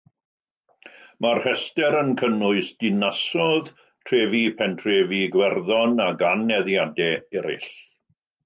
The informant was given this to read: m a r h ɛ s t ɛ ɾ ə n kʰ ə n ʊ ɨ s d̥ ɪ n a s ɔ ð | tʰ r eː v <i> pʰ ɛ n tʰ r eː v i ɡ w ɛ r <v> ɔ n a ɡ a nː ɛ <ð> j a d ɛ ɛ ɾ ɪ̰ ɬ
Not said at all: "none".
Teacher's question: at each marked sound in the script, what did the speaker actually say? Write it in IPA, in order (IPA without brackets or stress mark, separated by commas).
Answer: i, ð, ð